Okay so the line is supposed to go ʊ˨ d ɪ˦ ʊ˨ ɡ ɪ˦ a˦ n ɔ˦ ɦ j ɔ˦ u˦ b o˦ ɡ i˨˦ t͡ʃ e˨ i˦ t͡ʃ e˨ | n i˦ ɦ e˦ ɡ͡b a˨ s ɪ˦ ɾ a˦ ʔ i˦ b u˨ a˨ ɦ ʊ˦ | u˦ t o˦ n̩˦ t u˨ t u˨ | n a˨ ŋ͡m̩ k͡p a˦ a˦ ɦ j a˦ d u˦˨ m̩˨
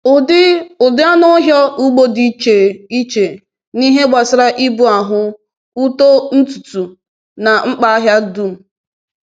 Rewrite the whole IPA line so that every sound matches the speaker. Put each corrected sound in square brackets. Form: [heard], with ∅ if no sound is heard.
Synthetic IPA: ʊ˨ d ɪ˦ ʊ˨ [d] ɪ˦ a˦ n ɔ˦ ɦ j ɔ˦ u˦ [ɡ͡b] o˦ [d] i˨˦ t͡ʃ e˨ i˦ t͡ʃ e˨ | n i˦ ɦ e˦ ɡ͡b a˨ s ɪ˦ ɾ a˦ ʔ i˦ b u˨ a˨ ɦ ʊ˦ | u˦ t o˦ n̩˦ t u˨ t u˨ | n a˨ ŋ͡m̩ k͡p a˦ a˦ ɦ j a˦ d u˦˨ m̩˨